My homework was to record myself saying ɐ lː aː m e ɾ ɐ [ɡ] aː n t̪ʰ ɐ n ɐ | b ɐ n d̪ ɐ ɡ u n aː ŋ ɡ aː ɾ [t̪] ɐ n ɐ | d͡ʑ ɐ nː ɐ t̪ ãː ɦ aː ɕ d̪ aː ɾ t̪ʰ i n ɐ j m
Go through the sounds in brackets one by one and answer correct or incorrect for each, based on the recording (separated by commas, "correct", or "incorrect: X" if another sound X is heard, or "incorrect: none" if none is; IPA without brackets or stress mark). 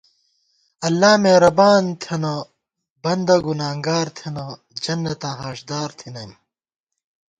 incorrect: b, incorrect: t̪ʰ